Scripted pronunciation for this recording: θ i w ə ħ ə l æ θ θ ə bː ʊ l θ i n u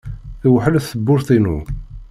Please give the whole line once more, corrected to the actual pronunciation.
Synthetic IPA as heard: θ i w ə ħ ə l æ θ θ ə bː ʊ ɾ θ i n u